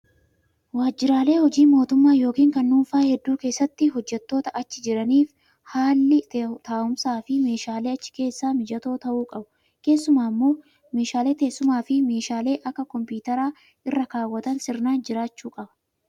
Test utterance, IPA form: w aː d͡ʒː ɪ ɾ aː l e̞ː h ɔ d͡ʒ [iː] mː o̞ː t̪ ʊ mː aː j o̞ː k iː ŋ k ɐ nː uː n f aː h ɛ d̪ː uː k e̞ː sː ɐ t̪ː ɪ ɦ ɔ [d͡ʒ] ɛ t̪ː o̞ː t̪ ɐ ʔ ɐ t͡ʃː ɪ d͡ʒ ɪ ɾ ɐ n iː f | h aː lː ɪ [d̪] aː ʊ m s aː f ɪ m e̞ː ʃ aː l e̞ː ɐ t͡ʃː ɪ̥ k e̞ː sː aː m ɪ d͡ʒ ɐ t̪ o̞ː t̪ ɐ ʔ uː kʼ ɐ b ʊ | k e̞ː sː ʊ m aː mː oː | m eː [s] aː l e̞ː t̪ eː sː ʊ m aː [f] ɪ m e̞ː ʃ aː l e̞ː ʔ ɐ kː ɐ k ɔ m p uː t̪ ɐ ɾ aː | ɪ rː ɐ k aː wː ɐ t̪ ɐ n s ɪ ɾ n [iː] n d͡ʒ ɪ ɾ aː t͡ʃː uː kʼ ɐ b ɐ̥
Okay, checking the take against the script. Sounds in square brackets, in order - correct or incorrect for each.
correct, incorrect: d͡ʒː, incorrect: t̪, incorrect: ʃ, correct, incorrect: aː

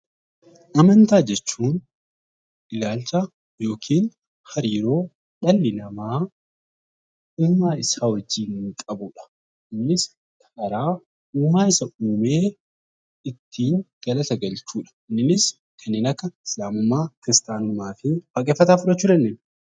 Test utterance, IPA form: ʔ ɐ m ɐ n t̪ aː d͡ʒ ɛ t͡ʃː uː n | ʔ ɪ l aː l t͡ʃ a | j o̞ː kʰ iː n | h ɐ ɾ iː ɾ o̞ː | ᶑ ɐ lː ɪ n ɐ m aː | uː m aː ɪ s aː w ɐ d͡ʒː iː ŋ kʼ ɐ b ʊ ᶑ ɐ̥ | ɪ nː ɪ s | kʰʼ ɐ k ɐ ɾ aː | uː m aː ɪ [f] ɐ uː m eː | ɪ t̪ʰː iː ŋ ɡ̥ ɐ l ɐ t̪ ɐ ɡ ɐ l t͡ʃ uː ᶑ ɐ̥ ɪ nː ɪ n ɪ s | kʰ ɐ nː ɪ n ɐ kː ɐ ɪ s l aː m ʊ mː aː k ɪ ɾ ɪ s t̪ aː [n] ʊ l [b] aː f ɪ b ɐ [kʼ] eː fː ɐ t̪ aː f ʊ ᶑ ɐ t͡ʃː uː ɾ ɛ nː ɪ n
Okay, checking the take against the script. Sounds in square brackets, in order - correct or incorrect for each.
incorrect: s, correct, incorrect: m, correct

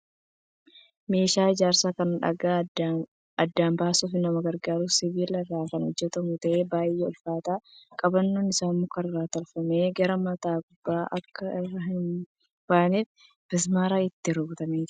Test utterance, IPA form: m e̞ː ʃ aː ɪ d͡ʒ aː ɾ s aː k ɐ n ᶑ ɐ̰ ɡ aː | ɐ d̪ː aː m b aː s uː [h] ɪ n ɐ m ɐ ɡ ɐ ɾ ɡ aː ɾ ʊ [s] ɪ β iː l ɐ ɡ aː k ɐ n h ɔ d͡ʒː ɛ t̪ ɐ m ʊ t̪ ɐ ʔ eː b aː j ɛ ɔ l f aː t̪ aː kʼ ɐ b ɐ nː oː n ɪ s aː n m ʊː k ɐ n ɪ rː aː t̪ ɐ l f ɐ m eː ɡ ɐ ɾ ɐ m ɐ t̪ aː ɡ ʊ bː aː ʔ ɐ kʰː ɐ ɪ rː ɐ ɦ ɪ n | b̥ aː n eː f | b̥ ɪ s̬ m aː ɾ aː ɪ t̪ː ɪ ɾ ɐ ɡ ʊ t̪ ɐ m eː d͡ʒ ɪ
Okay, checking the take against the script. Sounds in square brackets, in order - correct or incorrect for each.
incorrect: f, correct

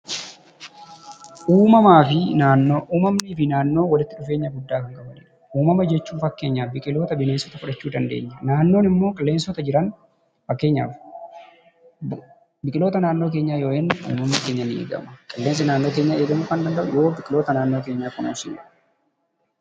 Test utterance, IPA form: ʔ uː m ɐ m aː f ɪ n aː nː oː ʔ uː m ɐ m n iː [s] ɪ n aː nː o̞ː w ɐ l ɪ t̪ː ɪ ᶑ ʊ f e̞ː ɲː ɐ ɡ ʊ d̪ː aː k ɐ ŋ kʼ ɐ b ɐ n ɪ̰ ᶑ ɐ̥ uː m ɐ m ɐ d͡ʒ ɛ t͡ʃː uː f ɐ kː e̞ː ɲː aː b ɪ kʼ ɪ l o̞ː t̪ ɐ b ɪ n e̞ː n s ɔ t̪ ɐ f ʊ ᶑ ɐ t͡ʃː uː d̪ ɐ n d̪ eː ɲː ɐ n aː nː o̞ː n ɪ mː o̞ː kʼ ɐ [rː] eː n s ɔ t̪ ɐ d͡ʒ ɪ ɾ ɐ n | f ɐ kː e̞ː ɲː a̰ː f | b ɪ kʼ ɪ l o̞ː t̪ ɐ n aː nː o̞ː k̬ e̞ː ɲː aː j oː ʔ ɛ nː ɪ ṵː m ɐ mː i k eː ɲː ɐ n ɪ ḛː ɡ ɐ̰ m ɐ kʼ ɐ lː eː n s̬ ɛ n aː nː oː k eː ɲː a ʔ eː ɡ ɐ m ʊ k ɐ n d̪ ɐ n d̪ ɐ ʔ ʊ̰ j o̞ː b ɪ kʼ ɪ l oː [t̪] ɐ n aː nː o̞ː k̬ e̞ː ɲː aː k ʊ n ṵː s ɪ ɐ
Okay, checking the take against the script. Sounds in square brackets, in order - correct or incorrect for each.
incorrect: f, incorrect: lː, correct

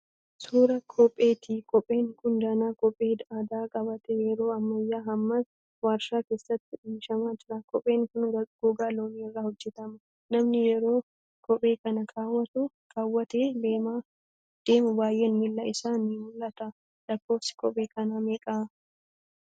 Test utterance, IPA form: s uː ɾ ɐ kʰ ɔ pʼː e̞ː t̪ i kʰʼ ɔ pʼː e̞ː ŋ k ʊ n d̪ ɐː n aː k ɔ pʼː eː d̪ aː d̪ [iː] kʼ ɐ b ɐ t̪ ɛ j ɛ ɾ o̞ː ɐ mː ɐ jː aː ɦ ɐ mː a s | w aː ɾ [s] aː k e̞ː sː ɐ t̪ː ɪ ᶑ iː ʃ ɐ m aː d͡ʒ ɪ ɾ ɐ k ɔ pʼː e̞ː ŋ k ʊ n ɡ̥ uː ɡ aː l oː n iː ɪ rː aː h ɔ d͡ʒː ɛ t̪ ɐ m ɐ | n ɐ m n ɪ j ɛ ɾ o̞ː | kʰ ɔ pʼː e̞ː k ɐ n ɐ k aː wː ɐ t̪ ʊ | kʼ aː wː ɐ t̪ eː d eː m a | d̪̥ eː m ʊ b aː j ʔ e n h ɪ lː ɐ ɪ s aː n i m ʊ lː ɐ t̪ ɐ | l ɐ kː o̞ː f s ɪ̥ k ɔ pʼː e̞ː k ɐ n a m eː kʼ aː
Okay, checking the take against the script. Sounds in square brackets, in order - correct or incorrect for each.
incorrect: aː, incorrect: ʃ

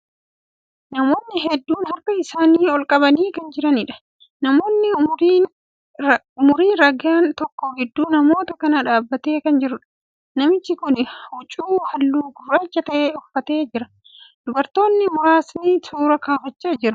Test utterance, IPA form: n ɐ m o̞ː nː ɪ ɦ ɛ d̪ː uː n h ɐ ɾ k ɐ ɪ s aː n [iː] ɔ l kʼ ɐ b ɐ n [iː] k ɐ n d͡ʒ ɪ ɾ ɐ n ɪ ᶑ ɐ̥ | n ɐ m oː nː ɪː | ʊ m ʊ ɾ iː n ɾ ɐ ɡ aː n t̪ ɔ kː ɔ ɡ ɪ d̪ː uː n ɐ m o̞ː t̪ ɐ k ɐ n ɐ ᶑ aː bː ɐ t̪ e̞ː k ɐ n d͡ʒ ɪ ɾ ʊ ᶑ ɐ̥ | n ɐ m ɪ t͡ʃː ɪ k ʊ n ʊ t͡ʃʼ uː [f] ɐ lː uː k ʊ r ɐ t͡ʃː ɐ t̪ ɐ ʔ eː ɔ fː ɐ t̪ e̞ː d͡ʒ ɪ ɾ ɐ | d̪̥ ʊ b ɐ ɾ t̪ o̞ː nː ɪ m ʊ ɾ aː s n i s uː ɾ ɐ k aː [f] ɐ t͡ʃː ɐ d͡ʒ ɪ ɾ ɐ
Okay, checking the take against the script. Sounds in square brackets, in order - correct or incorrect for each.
correct, correct, incorrect: h, correct

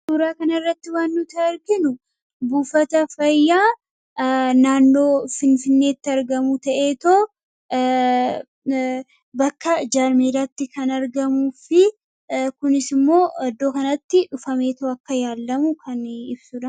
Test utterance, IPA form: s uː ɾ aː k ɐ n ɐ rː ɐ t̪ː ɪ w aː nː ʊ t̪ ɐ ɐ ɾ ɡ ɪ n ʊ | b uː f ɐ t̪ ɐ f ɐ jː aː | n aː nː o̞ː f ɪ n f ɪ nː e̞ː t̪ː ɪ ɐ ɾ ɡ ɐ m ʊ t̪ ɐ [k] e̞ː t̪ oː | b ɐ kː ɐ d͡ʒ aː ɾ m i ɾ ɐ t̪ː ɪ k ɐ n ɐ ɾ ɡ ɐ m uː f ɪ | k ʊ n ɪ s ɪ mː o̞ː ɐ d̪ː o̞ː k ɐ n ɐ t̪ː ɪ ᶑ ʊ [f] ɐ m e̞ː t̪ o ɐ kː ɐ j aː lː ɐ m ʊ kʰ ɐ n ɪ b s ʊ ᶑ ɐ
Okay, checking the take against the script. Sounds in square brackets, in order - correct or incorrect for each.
incorrect: ʔ, correct

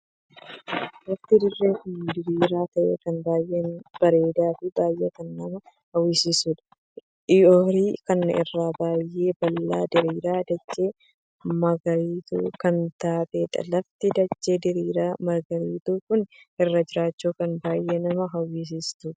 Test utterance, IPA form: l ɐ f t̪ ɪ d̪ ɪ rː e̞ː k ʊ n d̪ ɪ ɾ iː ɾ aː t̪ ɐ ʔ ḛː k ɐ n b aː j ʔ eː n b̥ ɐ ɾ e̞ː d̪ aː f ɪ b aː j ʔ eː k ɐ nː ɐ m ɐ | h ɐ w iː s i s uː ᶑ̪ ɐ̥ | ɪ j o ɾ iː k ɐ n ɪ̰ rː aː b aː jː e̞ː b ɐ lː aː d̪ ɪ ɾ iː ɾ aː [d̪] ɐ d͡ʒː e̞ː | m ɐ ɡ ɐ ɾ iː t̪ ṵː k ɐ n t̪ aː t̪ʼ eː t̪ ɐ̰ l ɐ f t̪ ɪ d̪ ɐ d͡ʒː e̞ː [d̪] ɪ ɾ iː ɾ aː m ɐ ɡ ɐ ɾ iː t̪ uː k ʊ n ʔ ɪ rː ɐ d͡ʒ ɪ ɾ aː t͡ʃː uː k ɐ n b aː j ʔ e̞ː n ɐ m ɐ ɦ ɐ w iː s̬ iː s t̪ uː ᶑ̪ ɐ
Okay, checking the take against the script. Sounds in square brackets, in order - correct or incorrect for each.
correct, correct

